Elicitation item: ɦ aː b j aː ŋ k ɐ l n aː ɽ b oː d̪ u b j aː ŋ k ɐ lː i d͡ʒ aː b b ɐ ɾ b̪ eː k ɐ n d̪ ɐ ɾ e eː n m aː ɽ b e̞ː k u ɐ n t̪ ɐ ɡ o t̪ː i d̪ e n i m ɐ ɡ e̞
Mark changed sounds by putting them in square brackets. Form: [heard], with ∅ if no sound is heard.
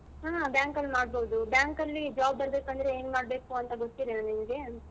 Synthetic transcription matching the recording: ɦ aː b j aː ŋ k ɐ l [m] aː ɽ b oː d̪ u b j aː ŋ k ɐ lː i d͡ʒ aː b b ɐ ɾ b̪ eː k ɐ n d̪ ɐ ɾ e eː n m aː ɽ b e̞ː k u ɐ n t̪ ɐ ɡ o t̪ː i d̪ e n i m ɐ ɡ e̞